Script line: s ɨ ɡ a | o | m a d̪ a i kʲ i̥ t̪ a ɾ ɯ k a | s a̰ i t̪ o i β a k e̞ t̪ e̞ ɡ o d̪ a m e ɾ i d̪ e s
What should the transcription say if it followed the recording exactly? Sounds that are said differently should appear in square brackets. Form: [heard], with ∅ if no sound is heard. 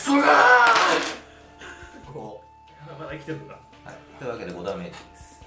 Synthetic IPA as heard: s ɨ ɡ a | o | m a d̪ a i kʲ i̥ t̪ [e] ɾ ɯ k a | [h] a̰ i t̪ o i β a k e̞ [d̪] e̞ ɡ o d̪ a m e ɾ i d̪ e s